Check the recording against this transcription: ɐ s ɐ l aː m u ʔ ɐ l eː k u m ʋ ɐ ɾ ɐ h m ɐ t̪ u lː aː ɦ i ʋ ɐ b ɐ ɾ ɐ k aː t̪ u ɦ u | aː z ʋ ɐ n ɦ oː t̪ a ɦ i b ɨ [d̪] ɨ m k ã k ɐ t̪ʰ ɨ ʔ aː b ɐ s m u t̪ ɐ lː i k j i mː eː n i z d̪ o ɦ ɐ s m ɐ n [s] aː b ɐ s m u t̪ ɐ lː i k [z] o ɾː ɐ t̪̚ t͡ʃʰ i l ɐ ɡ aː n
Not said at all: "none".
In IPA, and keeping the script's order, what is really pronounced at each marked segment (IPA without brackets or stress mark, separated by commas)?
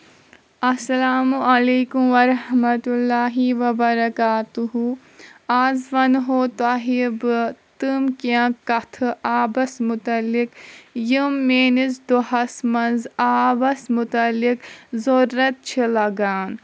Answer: t̪, z, z